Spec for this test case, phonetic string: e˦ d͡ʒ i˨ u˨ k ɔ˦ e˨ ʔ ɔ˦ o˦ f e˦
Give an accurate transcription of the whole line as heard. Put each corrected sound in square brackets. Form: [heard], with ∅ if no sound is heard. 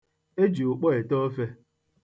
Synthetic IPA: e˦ d͡ʒ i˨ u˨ [k͡p] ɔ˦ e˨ [t] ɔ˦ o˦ f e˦